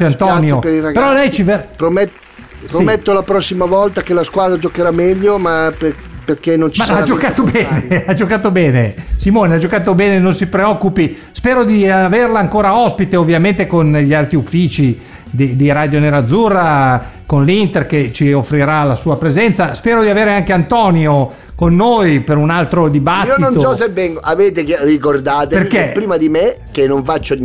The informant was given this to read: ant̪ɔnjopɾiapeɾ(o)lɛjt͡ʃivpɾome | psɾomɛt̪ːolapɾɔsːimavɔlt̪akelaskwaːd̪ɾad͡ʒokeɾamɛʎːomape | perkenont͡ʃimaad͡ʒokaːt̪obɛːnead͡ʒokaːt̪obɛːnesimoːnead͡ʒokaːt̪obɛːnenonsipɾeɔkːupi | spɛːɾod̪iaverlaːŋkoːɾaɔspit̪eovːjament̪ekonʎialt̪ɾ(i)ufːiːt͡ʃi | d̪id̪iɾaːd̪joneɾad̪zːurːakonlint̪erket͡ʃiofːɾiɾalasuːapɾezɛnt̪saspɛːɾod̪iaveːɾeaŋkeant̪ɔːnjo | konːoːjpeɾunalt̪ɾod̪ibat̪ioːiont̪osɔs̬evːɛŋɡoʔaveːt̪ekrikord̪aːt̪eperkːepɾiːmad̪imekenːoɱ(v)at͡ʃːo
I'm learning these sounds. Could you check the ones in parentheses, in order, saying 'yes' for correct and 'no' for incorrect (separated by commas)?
no, yes, no